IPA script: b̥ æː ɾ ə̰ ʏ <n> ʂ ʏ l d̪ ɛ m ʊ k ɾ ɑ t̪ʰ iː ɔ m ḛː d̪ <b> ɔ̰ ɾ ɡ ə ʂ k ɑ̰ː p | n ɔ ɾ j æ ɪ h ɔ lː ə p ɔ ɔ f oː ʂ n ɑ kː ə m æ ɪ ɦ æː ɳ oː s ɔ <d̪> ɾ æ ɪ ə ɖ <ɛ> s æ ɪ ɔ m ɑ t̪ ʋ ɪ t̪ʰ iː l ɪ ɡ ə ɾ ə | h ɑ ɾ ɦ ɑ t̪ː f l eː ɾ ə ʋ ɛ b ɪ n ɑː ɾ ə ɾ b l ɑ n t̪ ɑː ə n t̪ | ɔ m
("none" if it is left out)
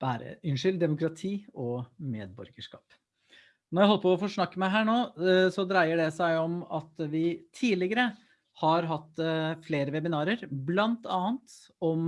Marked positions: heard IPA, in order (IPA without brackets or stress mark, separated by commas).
n, b, d̪, ɛ